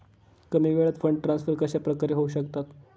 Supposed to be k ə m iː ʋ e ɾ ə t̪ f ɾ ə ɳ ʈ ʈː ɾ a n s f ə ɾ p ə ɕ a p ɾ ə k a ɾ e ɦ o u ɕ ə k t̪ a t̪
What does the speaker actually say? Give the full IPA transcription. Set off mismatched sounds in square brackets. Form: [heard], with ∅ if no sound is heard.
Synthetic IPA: k ə m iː ʋ e [ɭ] ə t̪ f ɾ ə ɳ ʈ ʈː ɾ a n s f ə ɾ [k] ə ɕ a p ɾ ə k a ɾ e ɦ o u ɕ ə k t̪ a t̪